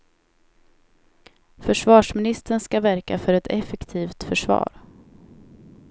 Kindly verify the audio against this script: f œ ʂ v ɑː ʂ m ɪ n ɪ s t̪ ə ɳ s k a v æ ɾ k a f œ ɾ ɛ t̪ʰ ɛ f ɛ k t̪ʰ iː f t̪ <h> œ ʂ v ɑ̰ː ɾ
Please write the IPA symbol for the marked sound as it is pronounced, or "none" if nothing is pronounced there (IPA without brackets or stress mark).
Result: f